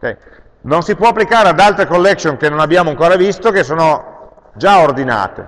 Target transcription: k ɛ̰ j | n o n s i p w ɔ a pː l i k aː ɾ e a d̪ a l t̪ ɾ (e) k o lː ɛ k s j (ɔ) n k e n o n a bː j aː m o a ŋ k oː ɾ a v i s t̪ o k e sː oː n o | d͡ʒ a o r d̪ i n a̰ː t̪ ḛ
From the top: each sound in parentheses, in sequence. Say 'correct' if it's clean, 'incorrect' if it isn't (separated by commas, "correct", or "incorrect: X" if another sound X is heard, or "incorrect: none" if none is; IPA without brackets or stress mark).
correct, incorrect: o